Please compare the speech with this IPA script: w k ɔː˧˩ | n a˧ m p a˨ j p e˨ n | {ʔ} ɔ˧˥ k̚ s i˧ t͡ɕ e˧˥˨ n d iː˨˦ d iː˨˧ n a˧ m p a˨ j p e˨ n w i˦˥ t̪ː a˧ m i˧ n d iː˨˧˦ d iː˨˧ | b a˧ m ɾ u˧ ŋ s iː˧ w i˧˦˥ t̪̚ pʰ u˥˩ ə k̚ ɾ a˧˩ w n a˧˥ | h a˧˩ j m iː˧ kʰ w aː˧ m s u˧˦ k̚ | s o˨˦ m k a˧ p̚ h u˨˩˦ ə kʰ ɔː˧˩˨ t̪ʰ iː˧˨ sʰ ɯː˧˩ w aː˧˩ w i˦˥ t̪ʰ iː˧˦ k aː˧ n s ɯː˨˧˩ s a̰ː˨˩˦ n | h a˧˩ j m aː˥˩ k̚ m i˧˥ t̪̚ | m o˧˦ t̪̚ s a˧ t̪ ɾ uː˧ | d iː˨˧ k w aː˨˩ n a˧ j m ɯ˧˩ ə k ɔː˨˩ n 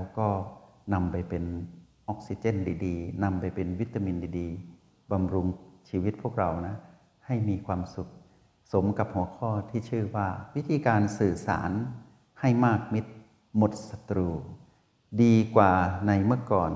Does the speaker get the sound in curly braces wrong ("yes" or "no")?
no